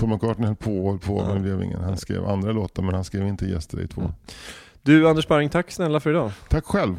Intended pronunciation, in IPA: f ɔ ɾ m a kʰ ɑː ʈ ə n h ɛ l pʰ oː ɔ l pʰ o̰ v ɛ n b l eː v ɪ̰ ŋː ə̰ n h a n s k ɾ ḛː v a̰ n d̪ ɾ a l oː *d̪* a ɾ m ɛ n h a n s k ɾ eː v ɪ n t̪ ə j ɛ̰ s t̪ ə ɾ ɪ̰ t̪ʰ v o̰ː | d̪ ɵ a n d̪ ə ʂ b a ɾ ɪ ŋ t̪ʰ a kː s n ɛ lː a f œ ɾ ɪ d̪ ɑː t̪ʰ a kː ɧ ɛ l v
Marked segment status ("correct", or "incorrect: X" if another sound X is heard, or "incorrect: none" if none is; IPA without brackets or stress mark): incorrect: t̪